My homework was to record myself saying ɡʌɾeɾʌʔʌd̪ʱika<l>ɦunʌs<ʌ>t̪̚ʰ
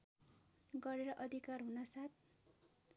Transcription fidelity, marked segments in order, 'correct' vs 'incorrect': incorrect: r, incorrect: a

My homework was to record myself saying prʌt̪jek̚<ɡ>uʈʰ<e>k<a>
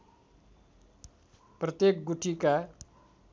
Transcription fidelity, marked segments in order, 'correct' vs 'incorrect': correct, incorrect: i, correct

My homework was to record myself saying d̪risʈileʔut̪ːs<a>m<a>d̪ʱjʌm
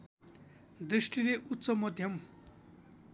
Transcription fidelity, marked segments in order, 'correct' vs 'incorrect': incorrect: ʌ, incorrect: ʌ

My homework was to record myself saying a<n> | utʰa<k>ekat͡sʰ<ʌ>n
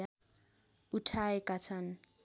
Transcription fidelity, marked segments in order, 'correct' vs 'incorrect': incorrect: none, incorrect: none, incorrect: a

